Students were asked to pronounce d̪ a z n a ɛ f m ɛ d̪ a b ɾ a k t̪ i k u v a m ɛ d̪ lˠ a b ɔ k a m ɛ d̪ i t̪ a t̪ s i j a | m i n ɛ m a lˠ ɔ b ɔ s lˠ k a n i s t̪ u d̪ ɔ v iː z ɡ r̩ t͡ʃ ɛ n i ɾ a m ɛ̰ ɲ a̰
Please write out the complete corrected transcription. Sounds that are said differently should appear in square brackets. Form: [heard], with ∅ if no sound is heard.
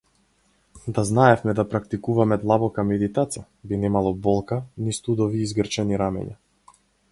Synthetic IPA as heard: d̪ a z n a ɛ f m ɛ d̪ a [p] ɾ a k t̪ i k u v a m ɛ d̪ lˠ a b ɔ k a m ɛ d̪ i t̪ a t̪ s i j a | [b] i n ɛ m a lˠ ɔ b ɔ [∅] lˠ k a n i s t̪ u d̪ ɔ v iː z ɡ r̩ t͡ʃ ɛ n i ɾ a m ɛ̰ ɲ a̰